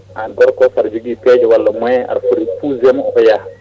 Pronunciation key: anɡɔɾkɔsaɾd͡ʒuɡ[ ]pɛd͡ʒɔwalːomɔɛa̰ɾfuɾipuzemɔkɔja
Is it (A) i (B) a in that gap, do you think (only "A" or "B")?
A